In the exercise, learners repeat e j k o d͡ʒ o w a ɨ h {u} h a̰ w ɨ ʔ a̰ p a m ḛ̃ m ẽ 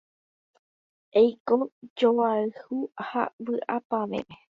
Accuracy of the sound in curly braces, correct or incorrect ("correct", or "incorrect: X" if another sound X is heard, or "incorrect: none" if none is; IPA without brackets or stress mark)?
correct